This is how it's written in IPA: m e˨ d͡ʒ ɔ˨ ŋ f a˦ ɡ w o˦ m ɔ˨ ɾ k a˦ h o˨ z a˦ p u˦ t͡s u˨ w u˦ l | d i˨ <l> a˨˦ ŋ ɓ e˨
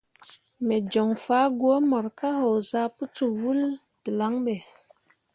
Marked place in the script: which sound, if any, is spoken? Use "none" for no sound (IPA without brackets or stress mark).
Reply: l